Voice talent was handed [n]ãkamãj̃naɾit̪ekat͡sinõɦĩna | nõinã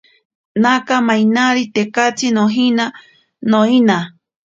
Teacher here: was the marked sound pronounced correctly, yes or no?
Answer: yes